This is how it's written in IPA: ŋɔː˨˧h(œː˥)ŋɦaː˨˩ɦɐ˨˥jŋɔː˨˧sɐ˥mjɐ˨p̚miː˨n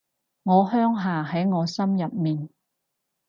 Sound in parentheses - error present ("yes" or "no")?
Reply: no